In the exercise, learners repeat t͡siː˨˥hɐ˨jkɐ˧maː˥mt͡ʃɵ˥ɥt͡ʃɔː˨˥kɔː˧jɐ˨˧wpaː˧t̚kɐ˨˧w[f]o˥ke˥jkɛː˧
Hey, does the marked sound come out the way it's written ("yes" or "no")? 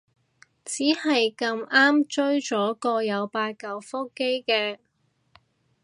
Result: yes